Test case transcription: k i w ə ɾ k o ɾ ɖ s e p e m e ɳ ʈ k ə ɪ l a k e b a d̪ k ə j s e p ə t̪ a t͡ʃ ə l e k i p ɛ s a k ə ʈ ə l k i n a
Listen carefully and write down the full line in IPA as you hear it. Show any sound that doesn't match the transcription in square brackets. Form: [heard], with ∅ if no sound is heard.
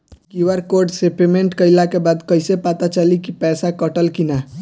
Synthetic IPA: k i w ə ɾ k o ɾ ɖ s e p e m e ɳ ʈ k ə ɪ l a k e b a d̪ k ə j s e p [a] t̪ a t͡ʃ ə l [i] k i p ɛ s a k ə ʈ ə l k i n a